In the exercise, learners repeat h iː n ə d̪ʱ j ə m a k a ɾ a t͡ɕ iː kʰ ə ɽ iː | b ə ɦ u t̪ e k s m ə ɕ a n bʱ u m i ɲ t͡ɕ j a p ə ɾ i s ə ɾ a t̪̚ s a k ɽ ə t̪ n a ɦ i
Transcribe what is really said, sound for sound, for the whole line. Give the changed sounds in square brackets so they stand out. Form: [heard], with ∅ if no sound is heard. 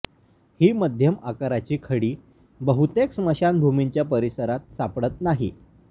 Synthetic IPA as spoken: h iː [m] ə d̪ʱ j ə m a k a ɾ a t͡ɕ iː kʰ ə ɽ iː | b ə ɦ u t̪ e k s m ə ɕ a n bʱ u m i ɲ t͡ɕ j a p ə ɾ i s ə ɾ a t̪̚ s a [p] ɽ ə t̪ n a ɦ i